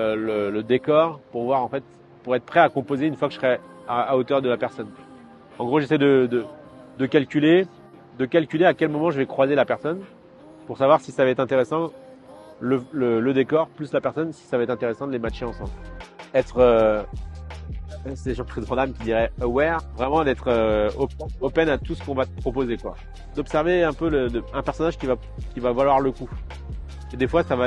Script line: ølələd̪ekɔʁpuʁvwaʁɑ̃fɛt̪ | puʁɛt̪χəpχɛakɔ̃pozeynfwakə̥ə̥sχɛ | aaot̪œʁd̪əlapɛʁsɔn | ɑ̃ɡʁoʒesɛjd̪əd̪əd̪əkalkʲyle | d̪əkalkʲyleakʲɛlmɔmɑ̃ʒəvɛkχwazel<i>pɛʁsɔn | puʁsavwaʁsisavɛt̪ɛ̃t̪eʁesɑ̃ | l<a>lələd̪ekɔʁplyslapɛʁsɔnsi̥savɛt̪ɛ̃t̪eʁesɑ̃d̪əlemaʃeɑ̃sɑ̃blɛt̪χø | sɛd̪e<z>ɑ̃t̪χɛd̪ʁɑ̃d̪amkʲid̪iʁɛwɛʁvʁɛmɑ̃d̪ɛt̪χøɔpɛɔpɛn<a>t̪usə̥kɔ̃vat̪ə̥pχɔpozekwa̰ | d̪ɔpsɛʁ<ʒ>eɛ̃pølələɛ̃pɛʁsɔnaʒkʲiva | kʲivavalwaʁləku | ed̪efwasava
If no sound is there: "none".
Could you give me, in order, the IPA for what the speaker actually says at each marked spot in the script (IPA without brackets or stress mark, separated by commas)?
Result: a, ə, ʒ, a, v